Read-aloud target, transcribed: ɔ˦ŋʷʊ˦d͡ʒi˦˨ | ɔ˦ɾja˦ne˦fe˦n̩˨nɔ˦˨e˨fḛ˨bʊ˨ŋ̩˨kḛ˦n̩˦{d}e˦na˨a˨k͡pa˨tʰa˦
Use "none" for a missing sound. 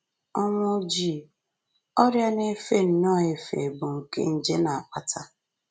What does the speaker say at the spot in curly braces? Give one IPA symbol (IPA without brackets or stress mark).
d͡ʒ